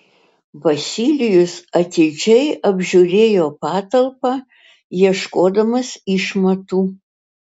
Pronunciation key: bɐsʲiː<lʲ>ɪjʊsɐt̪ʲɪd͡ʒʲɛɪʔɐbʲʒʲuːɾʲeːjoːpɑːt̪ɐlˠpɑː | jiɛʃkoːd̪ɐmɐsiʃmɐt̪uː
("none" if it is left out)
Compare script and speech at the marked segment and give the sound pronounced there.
lʲ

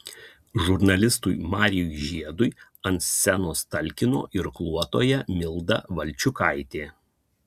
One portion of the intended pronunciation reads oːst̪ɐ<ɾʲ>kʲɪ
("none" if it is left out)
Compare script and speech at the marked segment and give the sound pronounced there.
lʲ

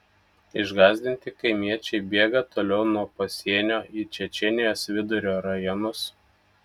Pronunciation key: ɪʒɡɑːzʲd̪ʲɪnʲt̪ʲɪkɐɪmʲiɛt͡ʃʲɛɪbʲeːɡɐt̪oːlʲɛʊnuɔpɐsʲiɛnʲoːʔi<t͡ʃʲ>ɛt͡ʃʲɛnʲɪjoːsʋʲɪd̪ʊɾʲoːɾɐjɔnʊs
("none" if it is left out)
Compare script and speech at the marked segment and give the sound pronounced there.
t͡ʃʲ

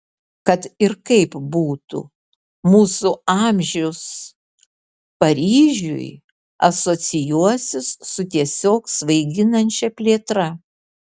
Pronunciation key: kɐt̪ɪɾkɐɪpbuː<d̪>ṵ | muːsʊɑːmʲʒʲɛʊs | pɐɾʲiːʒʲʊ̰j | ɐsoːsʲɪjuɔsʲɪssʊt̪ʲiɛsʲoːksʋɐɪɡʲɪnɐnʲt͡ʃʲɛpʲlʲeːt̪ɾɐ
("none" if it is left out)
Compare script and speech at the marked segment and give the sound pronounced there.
t̪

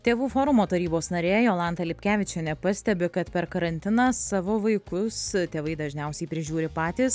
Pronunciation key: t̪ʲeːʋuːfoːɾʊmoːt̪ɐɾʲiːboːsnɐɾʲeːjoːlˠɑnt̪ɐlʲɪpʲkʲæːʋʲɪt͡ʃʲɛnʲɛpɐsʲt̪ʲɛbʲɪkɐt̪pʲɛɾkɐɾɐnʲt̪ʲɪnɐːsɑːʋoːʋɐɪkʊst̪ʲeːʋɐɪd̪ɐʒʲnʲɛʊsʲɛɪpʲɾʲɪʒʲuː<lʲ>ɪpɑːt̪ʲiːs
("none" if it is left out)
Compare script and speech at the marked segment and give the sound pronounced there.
ɾʲ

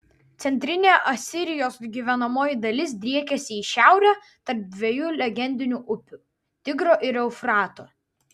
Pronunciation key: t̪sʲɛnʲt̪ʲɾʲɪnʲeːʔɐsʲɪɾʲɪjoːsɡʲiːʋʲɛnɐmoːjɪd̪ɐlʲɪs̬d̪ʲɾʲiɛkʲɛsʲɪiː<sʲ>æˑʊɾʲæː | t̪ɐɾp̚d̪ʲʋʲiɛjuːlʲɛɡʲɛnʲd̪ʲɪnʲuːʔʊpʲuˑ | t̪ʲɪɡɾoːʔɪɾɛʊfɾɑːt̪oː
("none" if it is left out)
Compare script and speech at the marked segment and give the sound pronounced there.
ʃʲ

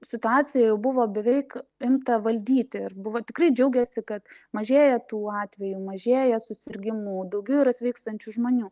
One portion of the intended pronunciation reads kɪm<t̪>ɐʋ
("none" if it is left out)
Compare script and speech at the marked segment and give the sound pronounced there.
t̪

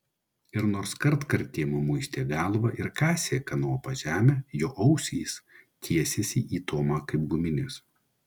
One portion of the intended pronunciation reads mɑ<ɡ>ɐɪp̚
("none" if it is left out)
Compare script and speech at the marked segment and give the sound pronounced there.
k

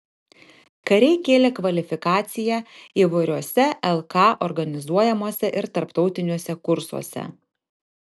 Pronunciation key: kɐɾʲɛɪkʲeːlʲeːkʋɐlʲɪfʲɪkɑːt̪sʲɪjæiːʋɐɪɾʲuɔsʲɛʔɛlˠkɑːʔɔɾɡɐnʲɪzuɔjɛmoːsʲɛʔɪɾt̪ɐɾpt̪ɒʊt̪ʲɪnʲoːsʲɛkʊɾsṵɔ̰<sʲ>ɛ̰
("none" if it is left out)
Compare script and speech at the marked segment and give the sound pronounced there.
sʲ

